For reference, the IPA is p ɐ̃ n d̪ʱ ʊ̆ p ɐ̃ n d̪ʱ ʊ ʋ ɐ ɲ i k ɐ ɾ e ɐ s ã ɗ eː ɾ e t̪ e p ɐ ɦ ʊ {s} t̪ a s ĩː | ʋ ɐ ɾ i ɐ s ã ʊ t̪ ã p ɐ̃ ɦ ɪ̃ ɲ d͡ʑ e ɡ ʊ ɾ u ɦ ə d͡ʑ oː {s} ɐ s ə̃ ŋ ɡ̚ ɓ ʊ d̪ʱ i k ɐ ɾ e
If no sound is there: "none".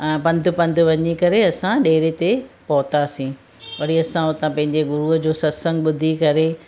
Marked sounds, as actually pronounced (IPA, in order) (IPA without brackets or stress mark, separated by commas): none, s